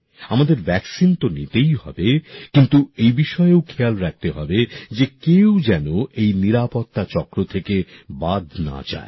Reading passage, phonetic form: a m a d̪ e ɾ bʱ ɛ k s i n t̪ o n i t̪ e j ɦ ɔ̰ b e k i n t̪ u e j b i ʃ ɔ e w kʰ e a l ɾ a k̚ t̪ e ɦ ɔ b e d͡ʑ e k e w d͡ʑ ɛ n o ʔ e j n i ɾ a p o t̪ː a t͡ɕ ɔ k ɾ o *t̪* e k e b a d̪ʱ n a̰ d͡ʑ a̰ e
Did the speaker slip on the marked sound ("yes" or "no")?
yes